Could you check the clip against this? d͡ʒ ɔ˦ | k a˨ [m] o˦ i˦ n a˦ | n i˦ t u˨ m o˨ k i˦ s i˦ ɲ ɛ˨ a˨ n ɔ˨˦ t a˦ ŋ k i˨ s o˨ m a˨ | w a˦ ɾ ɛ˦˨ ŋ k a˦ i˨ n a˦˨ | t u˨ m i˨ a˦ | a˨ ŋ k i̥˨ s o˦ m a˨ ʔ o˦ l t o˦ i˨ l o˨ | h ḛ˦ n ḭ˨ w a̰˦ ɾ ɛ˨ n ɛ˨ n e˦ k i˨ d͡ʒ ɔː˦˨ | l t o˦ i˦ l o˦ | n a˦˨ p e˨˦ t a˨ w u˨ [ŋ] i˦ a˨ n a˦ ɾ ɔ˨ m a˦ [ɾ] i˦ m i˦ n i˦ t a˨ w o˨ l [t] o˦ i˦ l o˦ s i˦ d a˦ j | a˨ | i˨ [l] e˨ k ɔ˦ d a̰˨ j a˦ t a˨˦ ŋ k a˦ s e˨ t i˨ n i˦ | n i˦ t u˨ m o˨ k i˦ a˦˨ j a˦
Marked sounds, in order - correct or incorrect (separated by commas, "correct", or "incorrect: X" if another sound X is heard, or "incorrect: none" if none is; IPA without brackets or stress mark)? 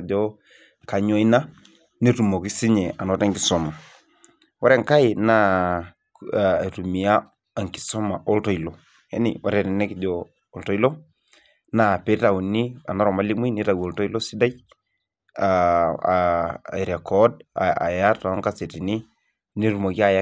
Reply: incorrect: ɲ, incorrect: n, incorrect: l, correct, incorrect: ɾ